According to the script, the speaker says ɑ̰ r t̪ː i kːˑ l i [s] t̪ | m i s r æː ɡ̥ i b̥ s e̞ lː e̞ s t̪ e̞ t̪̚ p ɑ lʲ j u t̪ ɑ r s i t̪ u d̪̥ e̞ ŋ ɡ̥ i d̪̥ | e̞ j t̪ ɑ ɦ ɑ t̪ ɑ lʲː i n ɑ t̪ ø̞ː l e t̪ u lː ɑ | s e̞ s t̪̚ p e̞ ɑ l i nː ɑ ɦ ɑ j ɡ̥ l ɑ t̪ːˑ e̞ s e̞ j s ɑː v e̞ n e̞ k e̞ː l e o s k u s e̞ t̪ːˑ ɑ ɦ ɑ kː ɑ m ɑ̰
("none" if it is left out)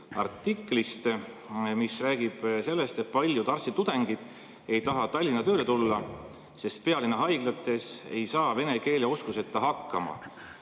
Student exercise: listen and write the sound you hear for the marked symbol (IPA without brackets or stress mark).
s